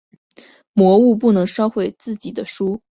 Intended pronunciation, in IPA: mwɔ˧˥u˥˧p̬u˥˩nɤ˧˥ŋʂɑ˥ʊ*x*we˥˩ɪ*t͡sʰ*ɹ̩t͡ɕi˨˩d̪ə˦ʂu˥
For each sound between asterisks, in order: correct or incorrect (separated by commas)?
correct, incorrect